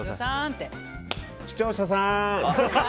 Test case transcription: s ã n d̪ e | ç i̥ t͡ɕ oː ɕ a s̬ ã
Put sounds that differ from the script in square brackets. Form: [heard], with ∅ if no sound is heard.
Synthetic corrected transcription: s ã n [t̪] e | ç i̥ t͡ɕ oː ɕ a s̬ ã